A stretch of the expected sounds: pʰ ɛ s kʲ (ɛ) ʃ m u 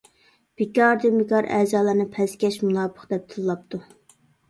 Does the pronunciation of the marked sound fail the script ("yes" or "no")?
no